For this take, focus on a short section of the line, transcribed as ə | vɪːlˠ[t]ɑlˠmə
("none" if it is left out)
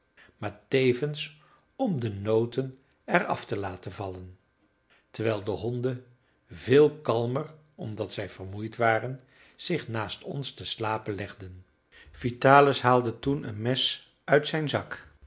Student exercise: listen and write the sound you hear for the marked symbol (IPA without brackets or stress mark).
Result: k